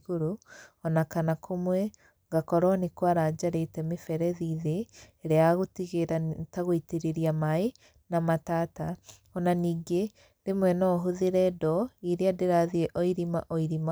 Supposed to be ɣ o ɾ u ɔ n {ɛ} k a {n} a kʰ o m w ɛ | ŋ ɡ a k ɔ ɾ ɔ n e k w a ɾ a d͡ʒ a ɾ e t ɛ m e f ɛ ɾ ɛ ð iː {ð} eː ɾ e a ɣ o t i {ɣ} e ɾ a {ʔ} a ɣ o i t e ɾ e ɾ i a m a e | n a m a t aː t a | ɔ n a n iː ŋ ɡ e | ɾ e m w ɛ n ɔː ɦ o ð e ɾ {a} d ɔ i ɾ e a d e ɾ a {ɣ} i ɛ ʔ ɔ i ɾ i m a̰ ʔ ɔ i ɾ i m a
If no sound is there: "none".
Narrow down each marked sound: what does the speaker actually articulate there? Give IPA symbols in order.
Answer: a, n, ð, ɣ, t, ɛ, ð

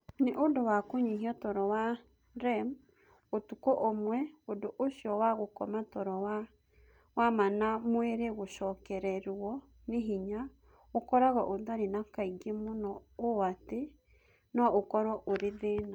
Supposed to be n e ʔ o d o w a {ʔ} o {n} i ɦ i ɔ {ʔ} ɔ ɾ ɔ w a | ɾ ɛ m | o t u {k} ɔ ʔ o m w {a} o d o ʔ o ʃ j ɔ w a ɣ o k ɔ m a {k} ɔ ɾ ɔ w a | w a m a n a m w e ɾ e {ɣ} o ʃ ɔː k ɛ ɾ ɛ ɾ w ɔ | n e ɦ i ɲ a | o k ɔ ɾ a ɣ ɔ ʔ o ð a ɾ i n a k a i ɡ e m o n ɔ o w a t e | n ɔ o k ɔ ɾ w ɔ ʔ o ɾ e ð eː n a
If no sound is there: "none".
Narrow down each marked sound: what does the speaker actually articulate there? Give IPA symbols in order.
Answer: k, ɲ, t, k, ɛ, t, ɣ

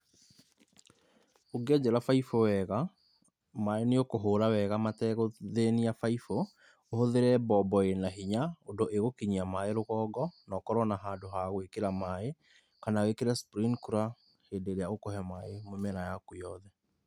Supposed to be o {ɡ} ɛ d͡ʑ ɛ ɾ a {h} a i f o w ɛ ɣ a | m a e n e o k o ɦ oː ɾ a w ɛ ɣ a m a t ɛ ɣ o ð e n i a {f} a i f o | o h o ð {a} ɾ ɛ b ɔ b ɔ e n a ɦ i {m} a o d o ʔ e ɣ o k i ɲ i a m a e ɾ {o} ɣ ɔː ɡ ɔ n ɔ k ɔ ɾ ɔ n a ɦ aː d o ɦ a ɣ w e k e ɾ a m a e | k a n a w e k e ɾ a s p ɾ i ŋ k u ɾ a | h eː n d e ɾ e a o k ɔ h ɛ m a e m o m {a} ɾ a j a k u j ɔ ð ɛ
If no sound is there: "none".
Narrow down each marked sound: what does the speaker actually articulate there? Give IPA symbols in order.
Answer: ɡ, f, f, e, ɲ, o, ɛ

